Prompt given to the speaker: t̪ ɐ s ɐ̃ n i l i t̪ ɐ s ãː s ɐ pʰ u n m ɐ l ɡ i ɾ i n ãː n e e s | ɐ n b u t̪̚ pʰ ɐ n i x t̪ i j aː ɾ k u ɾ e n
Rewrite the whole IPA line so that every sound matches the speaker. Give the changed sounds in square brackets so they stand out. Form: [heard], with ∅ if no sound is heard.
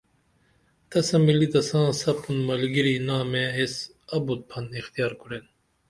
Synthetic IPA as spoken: t̪ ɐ s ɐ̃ [m] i l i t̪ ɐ s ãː s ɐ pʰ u n m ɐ l ɡ i ɾ i n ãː [m] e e s | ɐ [∅] b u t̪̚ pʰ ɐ n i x t̪ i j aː ɾ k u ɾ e n